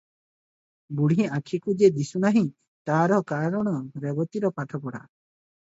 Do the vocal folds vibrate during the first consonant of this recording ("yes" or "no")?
yes